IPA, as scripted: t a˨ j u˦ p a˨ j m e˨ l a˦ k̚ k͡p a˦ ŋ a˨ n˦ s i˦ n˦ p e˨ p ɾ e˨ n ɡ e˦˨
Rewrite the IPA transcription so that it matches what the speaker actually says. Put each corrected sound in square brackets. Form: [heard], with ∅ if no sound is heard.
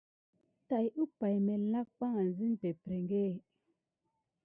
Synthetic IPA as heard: t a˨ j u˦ p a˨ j m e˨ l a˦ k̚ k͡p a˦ ŋ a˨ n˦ [z] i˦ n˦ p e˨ p ɾ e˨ [ŋ] ɡ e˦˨